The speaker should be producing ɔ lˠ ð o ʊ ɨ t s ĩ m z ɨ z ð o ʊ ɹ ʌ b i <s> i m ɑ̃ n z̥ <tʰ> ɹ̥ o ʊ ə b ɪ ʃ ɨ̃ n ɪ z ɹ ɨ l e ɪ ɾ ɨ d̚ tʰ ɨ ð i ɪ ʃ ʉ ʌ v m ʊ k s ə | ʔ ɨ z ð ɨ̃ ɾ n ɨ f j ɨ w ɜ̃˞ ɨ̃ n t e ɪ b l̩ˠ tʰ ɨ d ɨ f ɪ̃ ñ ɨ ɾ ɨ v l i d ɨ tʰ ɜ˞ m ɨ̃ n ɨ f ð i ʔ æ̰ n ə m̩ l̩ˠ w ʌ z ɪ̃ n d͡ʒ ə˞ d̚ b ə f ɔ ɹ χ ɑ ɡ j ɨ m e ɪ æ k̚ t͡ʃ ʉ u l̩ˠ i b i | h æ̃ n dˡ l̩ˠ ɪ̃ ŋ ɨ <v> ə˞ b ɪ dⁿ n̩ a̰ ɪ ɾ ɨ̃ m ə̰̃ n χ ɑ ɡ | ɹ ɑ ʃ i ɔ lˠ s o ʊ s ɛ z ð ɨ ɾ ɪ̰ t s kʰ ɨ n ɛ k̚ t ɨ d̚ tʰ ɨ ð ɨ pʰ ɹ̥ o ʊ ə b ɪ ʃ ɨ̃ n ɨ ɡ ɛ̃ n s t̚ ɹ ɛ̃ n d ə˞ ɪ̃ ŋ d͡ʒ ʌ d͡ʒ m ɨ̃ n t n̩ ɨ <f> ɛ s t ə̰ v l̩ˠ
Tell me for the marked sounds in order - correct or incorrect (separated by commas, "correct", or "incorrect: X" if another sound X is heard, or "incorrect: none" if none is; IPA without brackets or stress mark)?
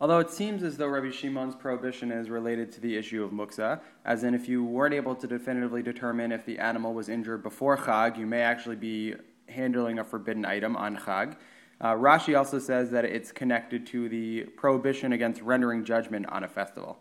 incorrect: ʃ, incorrect: pʰ, incorrect: f, correct